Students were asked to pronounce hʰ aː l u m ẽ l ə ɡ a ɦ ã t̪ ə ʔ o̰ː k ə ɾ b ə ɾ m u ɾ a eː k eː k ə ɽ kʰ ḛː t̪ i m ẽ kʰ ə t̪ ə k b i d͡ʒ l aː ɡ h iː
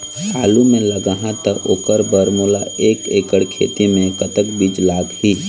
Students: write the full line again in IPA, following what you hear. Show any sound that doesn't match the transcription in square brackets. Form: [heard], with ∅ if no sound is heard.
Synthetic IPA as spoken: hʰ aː l u m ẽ l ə ɡ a ɦ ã t̪ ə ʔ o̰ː k ə ɾ b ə ɾ m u [l] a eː k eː k ə ɽ kʰ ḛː t̪ i m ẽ [k] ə t̪ ə k b i d͡ʒ l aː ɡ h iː